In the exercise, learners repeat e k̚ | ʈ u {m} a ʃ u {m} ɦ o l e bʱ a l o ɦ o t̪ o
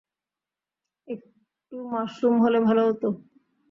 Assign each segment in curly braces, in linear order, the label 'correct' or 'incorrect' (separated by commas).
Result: correct, correct